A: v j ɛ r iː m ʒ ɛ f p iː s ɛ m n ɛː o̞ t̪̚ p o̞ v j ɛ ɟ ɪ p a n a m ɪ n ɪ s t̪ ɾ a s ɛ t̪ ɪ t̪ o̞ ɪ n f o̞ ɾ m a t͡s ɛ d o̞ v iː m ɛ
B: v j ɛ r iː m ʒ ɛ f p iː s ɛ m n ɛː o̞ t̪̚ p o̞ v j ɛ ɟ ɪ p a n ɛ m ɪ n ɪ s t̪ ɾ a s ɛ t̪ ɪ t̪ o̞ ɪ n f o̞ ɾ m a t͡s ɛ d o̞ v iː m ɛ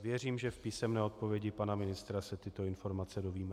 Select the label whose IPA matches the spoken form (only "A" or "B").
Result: A